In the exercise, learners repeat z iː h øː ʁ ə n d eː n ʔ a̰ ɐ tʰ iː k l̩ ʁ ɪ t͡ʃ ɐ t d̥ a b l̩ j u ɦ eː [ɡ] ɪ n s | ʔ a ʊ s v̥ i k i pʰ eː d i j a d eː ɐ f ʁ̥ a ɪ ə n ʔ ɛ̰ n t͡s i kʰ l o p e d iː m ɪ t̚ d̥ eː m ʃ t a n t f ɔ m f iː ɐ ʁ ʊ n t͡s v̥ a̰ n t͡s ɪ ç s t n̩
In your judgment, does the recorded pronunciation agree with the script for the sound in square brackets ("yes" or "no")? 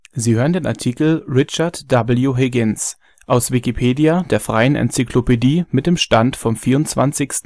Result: yes